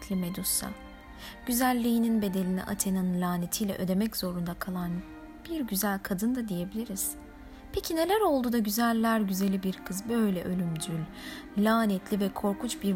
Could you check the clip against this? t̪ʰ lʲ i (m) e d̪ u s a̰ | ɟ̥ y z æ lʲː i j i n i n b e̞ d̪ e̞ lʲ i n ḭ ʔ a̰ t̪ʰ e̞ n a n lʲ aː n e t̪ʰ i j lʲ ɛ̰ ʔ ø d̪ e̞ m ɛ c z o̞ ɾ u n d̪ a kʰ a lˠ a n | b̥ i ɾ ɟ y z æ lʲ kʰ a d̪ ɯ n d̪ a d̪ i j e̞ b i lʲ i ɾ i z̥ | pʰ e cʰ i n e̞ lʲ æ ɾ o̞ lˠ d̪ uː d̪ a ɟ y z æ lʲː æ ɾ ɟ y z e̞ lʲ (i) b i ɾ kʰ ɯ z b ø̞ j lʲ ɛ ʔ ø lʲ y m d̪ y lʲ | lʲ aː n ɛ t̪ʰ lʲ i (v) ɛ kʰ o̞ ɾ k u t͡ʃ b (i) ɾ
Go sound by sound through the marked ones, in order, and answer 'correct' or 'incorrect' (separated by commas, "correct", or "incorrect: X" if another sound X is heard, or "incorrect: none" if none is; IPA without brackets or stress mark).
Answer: correct, correct, correct, correct